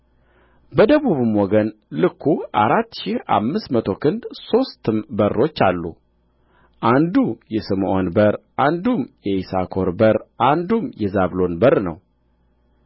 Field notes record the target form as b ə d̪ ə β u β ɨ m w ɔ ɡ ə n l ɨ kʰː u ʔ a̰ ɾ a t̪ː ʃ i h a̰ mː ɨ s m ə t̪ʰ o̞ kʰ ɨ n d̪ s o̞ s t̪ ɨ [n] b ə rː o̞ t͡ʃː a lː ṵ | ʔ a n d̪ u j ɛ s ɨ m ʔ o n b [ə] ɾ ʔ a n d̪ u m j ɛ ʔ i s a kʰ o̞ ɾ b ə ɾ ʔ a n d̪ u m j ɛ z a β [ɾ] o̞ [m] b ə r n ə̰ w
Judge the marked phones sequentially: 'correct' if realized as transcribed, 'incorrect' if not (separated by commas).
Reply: incorrect, correct, incorrect, incorrect